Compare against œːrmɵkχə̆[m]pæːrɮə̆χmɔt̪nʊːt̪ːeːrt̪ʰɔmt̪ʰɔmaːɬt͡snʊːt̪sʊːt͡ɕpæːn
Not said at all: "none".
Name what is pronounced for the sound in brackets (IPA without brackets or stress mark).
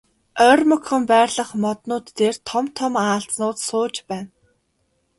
m